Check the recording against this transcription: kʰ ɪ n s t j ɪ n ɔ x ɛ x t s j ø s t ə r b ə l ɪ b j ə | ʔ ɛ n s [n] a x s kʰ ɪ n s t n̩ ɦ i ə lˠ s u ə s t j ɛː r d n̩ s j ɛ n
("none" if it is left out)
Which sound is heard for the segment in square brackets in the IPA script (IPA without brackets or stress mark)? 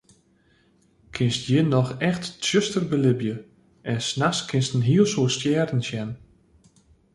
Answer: n